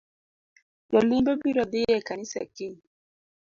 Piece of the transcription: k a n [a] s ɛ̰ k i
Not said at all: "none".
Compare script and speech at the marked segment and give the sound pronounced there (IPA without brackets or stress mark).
i